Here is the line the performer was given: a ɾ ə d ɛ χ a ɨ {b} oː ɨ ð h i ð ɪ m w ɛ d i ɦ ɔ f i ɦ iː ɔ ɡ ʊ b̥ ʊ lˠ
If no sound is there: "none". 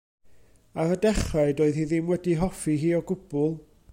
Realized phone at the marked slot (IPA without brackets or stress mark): d